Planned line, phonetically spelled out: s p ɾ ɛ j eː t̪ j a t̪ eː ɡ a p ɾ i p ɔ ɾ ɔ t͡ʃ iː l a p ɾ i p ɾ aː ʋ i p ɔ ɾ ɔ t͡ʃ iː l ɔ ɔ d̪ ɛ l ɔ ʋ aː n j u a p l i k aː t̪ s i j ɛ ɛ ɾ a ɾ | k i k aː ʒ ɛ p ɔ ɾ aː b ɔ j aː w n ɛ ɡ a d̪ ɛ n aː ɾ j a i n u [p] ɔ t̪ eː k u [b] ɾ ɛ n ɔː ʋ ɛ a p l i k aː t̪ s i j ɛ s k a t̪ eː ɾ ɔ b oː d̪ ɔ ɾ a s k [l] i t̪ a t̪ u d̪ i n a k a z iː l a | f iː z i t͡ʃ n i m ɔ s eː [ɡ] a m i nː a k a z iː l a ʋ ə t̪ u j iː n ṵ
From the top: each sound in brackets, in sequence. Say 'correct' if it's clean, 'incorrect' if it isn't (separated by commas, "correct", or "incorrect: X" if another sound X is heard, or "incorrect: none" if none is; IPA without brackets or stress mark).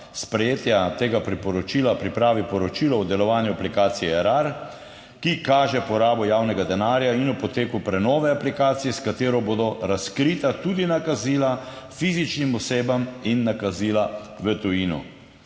correct, incorrect: p, incorrect: ɾ, incorrect: b